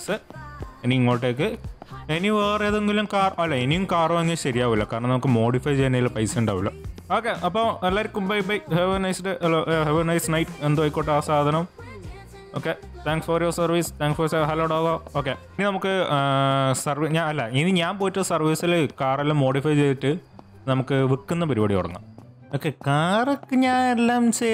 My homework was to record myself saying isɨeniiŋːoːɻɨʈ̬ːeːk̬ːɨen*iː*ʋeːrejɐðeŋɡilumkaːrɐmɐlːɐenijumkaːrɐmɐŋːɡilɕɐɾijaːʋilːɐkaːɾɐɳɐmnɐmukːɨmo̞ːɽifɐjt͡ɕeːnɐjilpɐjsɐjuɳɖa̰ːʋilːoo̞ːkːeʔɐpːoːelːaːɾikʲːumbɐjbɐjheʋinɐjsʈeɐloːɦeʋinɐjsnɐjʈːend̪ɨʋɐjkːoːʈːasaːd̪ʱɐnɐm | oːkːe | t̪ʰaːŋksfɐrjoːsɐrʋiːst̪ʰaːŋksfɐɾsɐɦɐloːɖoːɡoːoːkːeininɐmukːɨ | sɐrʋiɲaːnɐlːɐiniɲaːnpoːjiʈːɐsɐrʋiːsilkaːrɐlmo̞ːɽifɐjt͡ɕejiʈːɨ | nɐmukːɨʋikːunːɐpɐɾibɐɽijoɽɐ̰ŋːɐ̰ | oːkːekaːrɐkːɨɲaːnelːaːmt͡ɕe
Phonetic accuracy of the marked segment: incorrect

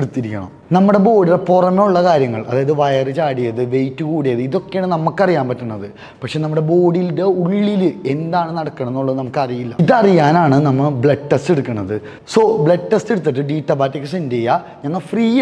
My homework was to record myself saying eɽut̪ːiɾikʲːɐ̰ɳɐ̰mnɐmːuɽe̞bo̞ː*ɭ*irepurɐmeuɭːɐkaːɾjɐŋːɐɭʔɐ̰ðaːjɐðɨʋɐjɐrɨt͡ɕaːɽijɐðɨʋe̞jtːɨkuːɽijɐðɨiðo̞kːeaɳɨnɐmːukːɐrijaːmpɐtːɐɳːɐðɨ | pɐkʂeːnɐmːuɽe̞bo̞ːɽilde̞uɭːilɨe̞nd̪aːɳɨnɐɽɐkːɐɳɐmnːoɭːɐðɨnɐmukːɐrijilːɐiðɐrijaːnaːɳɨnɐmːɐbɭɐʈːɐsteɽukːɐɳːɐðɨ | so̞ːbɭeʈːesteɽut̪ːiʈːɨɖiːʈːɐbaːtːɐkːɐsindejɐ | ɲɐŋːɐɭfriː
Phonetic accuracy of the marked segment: incorrect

